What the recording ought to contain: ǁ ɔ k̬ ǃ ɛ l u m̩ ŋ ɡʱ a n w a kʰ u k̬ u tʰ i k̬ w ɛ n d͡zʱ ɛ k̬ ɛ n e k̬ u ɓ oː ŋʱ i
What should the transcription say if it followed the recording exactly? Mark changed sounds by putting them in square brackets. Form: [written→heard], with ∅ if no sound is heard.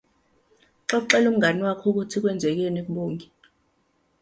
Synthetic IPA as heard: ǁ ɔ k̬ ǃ ɛ l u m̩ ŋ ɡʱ a n w a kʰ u k̬ u tʰ i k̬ w ɛ n d͡zʱ ɛ k̬ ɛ n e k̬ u ɓ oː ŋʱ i